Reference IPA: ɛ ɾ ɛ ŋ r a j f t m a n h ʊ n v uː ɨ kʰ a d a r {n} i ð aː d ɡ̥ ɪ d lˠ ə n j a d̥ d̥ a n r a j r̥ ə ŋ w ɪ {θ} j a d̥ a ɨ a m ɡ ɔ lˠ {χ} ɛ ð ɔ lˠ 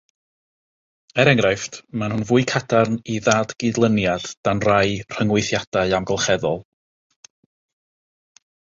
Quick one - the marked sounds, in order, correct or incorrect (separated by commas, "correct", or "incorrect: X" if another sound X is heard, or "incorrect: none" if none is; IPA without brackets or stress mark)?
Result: correct, correct, correct